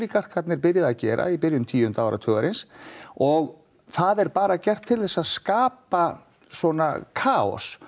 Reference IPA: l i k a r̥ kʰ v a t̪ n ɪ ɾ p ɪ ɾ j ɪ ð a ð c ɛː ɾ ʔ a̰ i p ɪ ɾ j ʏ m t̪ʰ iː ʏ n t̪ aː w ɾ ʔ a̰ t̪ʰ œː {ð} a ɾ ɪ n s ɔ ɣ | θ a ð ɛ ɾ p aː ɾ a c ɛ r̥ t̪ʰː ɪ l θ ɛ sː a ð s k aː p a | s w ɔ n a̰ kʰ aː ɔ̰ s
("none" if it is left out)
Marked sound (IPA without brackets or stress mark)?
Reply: ɣ